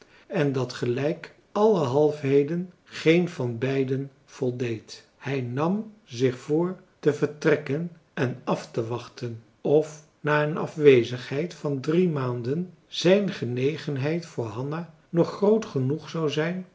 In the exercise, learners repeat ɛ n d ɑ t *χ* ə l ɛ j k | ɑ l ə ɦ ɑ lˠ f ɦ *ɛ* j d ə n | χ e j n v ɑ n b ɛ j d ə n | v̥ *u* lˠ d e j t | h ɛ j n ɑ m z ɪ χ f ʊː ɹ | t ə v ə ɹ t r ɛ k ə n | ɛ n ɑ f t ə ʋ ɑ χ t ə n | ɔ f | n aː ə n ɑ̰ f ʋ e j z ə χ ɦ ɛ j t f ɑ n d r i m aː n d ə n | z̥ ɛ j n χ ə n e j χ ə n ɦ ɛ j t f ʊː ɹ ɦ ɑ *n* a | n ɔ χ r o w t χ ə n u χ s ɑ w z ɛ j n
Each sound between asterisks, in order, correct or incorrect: correct, incorrect, incorrect, correct

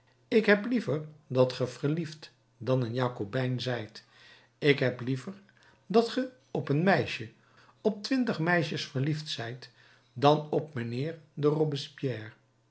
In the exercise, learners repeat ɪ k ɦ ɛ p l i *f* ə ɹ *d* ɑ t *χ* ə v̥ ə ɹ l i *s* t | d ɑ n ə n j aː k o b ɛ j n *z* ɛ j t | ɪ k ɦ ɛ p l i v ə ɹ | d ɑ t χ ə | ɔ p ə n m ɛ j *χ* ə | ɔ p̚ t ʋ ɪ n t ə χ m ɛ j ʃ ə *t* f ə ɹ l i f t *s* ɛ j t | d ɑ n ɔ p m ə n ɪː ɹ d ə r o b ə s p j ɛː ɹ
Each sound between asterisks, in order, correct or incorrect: incorrect, correct, correct, incorrect, correct, incorrect, incorrect, correct

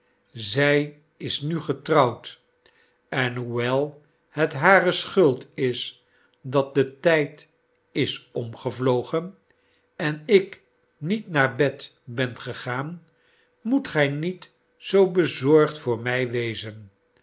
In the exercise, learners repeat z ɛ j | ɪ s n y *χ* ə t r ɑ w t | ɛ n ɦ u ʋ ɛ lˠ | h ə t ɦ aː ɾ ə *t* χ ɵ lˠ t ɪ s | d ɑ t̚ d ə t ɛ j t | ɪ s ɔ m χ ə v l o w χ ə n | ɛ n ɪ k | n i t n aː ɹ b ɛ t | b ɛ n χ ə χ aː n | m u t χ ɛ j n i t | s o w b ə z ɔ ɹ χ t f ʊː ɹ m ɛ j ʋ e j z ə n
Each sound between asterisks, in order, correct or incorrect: correct, incorrect

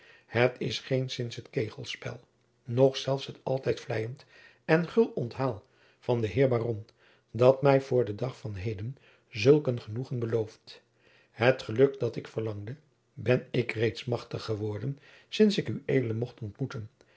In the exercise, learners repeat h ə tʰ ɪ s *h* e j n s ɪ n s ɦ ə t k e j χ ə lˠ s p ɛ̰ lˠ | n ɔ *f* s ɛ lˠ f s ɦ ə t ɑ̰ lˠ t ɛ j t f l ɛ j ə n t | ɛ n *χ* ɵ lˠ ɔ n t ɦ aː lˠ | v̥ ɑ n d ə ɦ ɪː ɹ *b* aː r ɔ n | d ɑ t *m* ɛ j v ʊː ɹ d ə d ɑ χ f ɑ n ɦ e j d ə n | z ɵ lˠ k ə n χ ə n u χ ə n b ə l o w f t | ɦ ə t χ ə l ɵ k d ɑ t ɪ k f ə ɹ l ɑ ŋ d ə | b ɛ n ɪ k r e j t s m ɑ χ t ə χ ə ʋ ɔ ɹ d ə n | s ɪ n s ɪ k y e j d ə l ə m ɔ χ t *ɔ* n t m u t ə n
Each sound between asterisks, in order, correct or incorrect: incorrect, incorrect, correct, correct, correct, correct

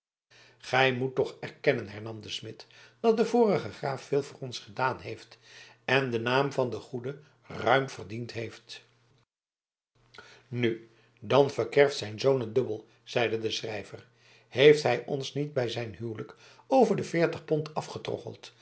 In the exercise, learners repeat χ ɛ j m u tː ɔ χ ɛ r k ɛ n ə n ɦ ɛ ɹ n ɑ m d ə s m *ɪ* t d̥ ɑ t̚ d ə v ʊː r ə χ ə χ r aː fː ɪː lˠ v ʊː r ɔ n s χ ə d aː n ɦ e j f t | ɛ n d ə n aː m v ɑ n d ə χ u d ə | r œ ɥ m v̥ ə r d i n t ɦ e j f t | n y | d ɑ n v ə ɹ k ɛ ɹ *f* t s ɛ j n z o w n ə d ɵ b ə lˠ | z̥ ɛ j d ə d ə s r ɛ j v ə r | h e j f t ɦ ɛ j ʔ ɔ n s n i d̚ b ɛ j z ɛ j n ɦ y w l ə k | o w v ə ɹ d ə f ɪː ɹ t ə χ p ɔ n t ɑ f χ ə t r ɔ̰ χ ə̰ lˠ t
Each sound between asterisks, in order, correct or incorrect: correct, correct

